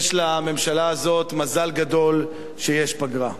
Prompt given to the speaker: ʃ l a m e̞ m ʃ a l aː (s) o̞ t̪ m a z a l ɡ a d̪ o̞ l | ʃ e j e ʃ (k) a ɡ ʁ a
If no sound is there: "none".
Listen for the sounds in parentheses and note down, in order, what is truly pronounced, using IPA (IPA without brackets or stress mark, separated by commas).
z, p